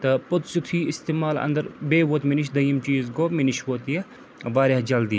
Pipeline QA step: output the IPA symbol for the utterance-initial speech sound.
t̪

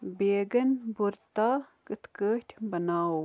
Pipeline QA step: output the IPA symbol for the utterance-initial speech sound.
b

